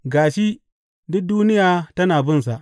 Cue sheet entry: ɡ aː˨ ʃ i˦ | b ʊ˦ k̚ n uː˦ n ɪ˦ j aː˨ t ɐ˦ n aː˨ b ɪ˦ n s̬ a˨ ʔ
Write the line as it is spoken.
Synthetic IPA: ɡ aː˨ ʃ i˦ | d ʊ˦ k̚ d uː˦ n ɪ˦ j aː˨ t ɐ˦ n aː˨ b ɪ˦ n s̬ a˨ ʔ

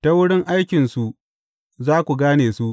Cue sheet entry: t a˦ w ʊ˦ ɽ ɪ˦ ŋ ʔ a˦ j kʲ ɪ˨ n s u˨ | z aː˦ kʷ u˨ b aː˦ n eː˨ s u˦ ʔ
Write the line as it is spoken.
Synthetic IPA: t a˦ w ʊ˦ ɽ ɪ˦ ŋ ʔ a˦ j kʲ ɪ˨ n s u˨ | z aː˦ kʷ u˨ ɡ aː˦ n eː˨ s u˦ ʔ

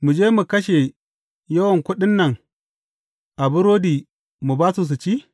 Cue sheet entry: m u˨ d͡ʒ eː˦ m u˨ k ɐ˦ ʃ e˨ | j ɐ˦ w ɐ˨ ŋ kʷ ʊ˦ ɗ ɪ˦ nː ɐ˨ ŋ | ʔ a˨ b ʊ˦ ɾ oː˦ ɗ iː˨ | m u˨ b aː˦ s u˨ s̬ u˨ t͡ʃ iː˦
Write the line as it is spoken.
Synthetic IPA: m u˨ d͡ʒ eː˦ m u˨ k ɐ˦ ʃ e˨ | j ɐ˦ w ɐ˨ ŋ kʷ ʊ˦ ɗ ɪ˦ nː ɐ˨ ŋ | ʔ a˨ b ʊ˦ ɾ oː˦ d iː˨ | m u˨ b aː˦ s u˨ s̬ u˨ t͡ʃ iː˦

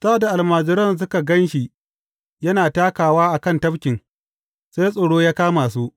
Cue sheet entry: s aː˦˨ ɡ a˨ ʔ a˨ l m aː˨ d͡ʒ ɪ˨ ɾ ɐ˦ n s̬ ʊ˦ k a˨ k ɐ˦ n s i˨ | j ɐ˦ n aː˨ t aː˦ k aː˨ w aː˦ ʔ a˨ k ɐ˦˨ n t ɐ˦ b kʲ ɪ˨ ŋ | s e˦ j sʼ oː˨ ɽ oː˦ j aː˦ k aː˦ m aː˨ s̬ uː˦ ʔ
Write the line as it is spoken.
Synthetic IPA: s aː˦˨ d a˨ ʔ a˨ l m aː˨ d͡ʒ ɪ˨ ɾ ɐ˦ n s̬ ʊ˦ k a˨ ɡ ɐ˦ n ʃ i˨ | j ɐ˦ n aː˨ t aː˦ k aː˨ w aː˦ ʔ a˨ k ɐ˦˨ n t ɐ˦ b kʲ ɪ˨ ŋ | s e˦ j sʼ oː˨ ɽ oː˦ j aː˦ k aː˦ m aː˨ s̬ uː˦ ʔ

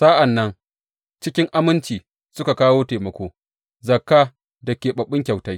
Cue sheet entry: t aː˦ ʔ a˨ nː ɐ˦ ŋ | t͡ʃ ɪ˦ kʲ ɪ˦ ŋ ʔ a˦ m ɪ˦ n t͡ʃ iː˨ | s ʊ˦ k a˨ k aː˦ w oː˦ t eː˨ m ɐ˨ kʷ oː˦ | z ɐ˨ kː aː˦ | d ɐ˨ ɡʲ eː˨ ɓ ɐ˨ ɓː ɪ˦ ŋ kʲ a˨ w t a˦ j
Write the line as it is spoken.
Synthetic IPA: s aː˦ ʔ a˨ nː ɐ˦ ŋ | t͡ʃ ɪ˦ kʲ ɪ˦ ŋ ʔ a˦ m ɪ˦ n t͡ʃ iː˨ | s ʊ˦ k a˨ k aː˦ w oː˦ t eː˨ m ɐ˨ kʷ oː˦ | z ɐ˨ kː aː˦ | d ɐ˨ kʲ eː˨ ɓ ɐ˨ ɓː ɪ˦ ŋ kʲ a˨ w t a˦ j

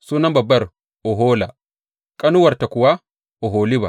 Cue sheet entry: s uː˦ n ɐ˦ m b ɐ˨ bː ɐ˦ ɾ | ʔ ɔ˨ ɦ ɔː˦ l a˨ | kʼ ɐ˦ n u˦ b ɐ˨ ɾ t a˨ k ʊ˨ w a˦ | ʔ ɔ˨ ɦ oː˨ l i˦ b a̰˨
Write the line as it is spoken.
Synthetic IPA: s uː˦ n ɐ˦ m b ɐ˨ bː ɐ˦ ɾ | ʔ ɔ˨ ɦ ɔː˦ l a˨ | kʼ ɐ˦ n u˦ w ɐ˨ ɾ t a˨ k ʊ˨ w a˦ | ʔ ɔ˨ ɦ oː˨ l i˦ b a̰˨

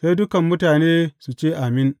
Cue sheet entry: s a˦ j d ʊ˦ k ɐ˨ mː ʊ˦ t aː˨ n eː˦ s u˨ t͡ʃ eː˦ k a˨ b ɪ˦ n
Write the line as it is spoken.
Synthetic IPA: s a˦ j d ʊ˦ k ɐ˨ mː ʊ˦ t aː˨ n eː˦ s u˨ t͡ʃ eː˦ ʔ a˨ m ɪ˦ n

